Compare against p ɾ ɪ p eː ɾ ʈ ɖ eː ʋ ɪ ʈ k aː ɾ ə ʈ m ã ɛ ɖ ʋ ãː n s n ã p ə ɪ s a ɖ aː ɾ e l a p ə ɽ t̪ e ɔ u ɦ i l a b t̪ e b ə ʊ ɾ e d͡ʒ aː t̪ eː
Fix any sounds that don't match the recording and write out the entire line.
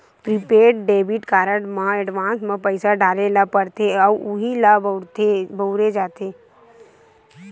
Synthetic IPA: p ɾ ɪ p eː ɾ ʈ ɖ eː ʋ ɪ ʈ k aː ɾ ə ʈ m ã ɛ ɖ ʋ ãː n s m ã p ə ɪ s a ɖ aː ɾ e l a p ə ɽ t̪ e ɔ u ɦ i l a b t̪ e b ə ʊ ɾ e d͡ʒ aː t̪ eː